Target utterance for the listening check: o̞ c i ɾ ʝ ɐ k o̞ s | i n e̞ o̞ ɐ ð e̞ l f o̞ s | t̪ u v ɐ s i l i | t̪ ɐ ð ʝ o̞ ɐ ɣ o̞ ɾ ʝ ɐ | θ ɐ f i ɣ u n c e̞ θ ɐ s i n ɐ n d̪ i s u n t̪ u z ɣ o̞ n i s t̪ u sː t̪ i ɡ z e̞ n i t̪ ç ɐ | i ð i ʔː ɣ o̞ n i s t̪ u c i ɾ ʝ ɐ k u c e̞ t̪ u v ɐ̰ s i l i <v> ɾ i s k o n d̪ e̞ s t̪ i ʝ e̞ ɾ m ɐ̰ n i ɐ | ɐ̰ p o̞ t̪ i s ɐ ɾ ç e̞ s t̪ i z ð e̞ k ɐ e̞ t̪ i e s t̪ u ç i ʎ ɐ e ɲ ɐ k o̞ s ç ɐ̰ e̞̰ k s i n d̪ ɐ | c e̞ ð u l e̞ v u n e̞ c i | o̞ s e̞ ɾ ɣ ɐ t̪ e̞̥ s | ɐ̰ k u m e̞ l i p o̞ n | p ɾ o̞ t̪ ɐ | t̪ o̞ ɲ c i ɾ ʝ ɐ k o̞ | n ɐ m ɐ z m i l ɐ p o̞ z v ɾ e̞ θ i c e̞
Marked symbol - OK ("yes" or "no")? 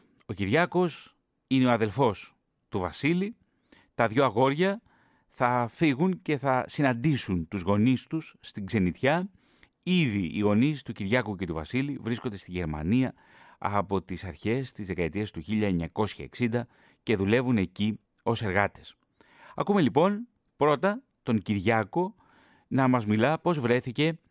yes